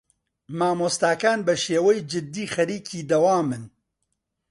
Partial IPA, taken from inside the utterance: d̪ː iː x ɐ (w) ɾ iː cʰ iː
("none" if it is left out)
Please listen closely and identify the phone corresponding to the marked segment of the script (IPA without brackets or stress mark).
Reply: none